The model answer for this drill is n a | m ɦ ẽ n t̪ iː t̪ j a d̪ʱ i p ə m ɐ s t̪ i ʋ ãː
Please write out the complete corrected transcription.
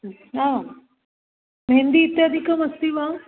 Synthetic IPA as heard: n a | m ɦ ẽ n d̪ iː t̪ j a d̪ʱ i k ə m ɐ s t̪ i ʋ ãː